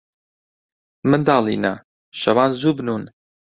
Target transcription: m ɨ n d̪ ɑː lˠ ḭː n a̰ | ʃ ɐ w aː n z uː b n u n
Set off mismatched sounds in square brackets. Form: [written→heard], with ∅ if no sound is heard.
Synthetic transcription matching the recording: m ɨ n d̪ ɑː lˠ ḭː n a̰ | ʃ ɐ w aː n z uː b n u n